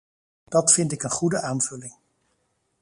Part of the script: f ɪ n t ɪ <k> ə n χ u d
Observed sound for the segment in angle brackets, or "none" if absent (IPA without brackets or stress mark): k